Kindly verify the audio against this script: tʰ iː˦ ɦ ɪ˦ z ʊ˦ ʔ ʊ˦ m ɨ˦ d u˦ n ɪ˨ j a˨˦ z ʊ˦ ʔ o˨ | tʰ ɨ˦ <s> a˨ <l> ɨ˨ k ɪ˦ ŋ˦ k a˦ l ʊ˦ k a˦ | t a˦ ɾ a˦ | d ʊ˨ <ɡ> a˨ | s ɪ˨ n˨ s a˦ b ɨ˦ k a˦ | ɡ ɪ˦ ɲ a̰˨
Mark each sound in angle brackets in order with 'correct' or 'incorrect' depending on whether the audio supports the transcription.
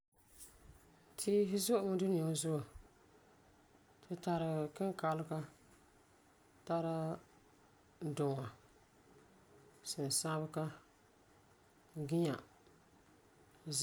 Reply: incorrect, incorrect, incorrect

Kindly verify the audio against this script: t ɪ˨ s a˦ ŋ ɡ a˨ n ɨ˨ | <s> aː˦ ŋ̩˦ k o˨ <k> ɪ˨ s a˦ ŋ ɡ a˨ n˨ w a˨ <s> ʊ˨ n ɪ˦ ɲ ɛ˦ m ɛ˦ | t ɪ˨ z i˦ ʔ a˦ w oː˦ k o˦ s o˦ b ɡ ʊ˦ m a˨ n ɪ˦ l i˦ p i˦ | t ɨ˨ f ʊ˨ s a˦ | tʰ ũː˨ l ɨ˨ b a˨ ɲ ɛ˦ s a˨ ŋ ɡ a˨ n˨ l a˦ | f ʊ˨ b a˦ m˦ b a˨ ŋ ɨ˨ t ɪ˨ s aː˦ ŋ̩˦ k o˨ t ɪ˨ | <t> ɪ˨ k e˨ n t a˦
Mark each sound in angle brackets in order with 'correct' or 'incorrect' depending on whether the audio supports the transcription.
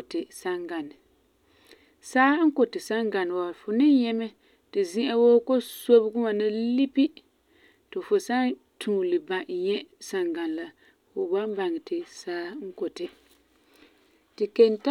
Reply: correct, incorrect, incorrect, correct

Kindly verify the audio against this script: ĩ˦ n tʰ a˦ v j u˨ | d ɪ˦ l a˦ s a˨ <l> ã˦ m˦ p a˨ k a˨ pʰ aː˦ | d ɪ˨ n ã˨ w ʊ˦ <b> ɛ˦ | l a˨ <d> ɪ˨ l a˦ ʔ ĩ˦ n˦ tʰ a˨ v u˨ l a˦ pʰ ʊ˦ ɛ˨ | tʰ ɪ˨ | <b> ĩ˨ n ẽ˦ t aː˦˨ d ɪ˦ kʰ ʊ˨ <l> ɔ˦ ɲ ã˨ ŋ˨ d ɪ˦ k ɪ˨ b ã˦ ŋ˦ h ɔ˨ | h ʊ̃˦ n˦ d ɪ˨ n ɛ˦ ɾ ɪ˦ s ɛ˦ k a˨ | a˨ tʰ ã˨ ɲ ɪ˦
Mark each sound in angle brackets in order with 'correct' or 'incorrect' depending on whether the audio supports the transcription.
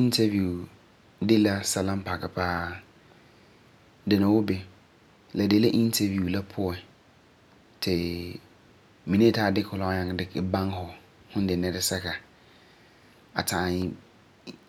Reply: correct, correct, correct, incorrect, correct

